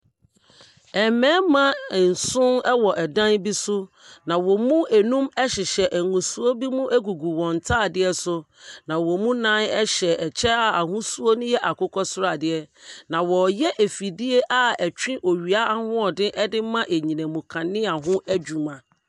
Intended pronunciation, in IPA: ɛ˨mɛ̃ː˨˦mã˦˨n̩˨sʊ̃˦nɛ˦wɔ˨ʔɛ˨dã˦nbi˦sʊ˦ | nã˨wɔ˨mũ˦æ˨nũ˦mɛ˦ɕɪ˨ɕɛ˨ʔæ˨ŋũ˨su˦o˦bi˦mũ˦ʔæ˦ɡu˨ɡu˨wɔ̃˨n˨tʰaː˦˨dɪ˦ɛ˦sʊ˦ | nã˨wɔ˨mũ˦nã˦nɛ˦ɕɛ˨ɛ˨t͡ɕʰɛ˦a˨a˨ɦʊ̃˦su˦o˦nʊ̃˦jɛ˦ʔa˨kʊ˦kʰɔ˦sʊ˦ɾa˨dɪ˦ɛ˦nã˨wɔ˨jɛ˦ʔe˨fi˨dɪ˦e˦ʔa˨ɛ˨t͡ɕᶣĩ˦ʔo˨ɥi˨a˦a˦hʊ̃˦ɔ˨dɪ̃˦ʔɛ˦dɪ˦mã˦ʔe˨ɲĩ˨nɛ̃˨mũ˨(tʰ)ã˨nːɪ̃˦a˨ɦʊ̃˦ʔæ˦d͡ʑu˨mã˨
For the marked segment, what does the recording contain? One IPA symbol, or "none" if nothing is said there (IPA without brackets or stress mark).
kʰ